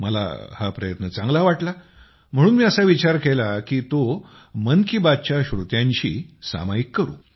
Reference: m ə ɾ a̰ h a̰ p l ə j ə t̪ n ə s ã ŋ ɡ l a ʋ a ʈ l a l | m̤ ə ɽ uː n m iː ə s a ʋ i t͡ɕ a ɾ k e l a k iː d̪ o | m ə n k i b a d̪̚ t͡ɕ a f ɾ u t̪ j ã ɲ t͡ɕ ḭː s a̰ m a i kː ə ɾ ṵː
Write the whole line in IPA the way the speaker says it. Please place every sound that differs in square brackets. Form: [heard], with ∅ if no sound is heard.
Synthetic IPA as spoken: m ə [l] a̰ h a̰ p [ɾ] ə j ə t̪ n ə [t͡s] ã ŋ ɡ l a ʋ a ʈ l a [∅] | m̤ ə ɽ uː n m iː ə s a ʋ i t͡ɕ a ɾ k e l a k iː [t̪] o | m ə n k i b a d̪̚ t͡ɕ a [ɕ] ɾ u t̪ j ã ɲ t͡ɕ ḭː s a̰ m a i kː ə ɾ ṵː

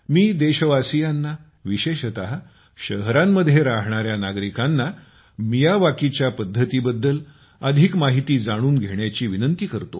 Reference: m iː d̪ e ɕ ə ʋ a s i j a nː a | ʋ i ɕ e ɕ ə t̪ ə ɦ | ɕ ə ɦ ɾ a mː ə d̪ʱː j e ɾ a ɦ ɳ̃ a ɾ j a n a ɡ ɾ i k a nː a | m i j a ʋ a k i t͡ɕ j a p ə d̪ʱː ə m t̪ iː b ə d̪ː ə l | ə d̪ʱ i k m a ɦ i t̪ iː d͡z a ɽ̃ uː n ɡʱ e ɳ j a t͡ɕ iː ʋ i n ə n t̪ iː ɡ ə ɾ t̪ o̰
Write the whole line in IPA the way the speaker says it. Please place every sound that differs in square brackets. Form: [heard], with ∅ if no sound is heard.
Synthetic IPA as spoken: m iː d̪ e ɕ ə ʋ a s i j a nː a | ʋ i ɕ e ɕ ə t̪ [a] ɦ | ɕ ə ɦ ɾ a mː ə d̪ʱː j e ɾ a ɦ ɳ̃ a ɾ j a n a ɡ ɾ i k a nː a | m i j a ʋ a k i t͡ɕ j a p ə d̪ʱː ə [∅] t̪ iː b ə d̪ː ə l | ə d̪ʱ i k m a ɦ i t̪ iː d͡z a ɽ̃ uː n ɡʱ e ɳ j a t͡ɕ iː ʋ i n ə n t̪ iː [k] ə ɾ t̪ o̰

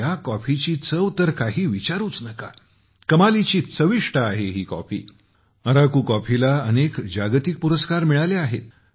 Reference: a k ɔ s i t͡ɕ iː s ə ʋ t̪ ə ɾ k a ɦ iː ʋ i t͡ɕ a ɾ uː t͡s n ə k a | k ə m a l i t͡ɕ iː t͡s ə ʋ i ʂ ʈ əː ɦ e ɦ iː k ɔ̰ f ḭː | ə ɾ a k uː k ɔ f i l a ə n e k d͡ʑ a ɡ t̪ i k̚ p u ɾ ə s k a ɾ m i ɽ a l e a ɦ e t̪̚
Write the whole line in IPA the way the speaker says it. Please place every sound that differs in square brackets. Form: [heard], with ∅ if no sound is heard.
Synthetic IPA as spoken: a k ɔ [f] i t͡ɕ iː [t͡s] ə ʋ t̪ ə ɾ k a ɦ iː ʋ i t͡ɕ a ɾ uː t͡s n ə k a | k ə m a l i t͡ɕ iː t͡s ə ʋ i ʂ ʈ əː ɦ e ɦ iː k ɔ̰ f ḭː | ə ɾ a k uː k ɔ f i l a ə n e k d͡ʑ a ɡ t̪ i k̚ p u ɾ ə s k a ɾ m i [ɭ] a l e a ɦ e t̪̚

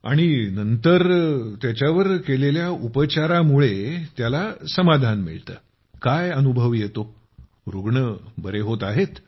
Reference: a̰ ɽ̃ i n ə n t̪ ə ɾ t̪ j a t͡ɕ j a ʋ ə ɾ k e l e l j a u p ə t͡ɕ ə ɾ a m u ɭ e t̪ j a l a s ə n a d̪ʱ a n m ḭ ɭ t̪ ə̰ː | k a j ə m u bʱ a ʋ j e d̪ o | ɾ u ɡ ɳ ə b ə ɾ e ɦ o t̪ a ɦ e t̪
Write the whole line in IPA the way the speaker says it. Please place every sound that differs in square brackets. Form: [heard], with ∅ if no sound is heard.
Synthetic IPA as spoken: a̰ ɽ̃ i n ə n t̪ ə ɾ t̪ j a t͡ɕ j a ʋ ə ɾ k e l e l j a u p ə t͡ɕ [a] ɾ a m u ɭ e t̪ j a l a s ə [m] a d̪ʱ a n m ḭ ɭ t̪ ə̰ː | k a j ə [n] u bʱ [ə] ʋ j e [t̪] o | ɾ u ɡ ɳ ə b ə ɾ e ɦ o t̪ a ɦ e t̪

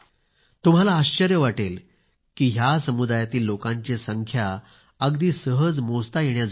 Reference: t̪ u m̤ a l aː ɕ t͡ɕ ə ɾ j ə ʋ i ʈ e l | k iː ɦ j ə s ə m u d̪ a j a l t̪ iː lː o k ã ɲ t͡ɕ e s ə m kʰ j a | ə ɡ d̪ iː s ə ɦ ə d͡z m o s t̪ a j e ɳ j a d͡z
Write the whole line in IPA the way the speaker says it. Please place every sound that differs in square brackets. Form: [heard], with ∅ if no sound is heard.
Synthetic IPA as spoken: t̪ u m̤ a l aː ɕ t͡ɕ ə ɾ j ə ʋ [a] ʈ e l | k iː ɦ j [a] s ə m u d̪ a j a [∅] t̪ iː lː o k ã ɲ t͡ɕ e s ə [ŋ] kʰ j a | ə ɡ d̪ iː s ə ɦ ə d͡z m o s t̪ a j e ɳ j a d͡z

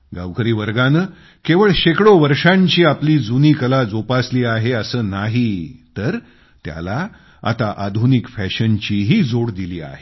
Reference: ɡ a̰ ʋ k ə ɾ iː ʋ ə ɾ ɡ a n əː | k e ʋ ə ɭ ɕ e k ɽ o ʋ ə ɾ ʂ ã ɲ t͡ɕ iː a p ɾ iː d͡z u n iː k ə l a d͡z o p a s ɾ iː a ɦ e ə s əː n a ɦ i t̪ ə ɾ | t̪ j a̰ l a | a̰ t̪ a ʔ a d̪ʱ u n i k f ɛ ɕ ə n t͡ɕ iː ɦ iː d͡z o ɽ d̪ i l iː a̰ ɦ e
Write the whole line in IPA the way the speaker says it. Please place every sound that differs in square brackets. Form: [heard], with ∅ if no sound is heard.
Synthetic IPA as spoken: ɡ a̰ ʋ k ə ɾ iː ʋ ə ɾ ɡ a n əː | k e ʋ ə ɭ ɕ e k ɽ o ʋ ə ɾ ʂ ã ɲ t͡ɕ iː a p [l] iː d͡z u n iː k ə l a d͡z o p a s [l] iː a ɦ e ə s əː n a ɦ i t̪ ə ɾ | t̪ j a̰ l a | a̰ t̪ a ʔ a d̪ʱ u n i k f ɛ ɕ ə n t͡ɕ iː ɦ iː d͡z o ɽ d̪ i l iː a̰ ɦ e

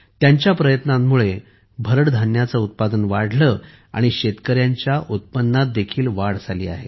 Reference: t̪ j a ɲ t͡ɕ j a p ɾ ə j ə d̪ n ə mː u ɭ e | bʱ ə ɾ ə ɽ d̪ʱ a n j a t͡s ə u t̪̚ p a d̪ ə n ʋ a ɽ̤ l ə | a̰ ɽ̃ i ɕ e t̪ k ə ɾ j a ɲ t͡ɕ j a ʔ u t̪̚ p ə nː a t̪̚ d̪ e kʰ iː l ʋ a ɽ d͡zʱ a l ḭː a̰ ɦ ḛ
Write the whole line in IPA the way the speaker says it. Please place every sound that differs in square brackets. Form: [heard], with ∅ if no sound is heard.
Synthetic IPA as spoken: t̪ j a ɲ t͡ɕ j a p ɾ ə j ə [t̪] n [a] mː u ɭ e | bʱ ə ɾ ə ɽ d̪ʱ a n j a t͡s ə u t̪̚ p a d̪ ə n ʋ a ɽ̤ l ə | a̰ ɽ̃ i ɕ e t̪ k ə ɾ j a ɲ t͡ɕ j a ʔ u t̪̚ p ə nː a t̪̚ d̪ e kʰ iː l ʋ a ɽ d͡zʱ a l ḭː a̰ ɦ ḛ

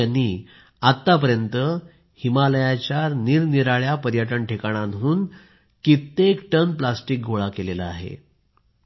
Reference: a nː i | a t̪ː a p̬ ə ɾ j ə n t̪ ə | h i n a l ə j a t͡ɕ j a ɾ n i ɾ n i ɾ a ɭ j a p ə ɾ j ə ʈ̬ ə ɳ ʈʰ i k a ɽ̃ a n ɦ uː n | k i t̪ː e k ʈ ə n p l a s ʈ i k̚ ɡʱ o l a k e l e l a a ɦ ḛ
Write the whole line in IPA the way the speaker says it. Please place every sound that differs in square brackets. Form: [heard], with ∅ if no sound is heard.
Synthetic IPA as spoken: a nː i | a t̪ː a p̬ ə ɾ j ə n t̪ ə | h i [m] a l ə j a t͡ɕ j a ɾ n i ɾ n i ɾ a ɭ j a p ə ɾ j ə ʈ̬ ə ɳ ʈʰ [e] k a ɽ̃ a n ɦ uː n | k i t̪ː e k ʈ ə n p l a s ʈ i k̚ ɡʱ o [ɭ] a k e l e l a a ɦ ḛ

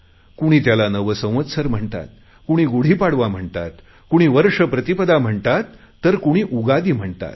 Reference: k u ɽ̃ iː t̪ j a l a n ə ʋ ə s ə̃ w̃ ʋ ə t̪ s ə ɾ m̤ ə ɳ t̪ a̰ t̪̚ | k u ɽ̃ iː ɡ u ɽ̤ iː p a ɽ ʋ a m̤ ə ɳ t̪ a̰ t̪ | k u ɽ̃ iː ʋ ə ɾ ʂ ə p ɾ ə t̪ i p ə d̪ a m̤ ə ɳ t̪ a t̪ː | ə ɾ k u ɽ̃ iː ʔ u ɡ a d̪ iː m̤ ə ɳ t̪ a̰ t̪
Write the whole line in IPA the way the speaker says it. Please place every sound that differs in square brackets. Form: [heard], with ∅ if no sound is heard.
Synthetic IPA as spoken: k u ɽ̃ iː t̪ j a l a n ə ʋ ə s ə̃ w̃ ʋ ə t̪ s ə ɾ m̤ ə ɳ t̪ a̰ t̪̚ | k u ɽ̃ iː ɡ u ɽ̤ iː p a ɽ ʋ a m̤ ə ɳ t̪ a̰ t̪ | k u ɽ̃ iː ʋ ə ɾ ʂ ə p ɾ ə t̪ i p ə d̪ a m̤ ə ɳ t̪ a t̪ː | ə ɾ k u ɽ̃ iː ʔ u ɡ a d̪ iː m̤ ə ɳ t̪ a̰ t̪

